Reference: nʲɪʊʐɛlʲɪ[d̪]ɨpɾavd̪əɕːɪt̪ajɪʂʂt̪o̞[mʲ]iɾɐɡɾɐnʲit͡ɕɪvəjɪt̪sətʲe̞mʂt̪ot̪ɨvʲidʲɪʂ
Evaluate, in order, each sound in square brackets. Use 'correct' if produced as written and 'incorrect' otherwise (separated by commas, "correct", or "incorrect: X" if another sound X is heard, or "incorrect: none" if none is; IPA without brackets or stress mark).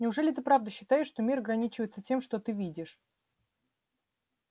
incorrect: t̪, correct